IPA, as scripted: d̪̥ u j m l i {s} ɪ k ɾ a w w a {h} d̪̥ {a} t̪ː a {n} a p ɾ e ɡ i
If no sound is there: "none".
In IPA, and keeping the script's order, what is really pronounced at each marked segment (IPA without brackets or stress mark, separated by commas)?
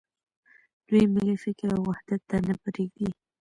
f, h, a, n